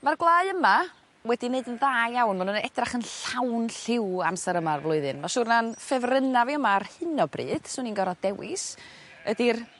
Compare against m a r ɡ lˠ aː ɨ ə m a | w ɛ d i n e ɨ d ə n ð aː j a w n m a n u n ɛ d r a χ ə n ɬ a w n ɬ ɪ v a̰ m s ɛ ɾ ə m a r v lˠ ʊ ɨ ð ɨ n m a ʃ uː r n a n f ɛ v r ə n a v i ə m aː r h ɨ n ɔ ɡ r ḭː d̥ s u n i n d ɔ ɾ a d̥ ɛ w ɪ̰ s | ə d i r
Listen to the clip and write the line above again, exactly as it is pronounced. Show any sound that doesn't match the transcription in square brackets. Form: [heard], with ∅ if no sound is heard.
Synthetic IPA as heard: m a r ɡ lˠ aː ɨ ə m a | w ɛ d i n e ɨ d ə n ð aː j a w n m a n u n ɛ d r a χ ə n ɬ a w n ɬ ɪ [w] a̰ m s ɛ ɾ ə m a r v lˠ ʊ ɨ ð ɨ n m a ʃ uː r n a n f ɛ v r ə n a v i ə m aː r h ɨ n ɔ [b] r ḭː d̥ s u n i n [ɡ] ɔ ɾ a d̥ ɛ w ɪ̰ s | ə d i r